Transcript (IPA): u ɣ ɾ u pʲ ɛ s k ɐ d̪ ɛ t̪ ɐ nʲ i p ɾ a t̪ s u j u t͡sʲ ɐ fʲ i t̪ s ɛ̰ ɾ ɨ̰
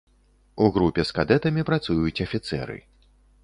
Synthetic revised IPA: u ɣ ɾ u pʲ ɛ s k a d̪ ɛ t̪ ɐ mʲ i p ɾ a t̪ s u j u t͡sʲ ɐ fʲ i t̪ s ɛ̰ ɾ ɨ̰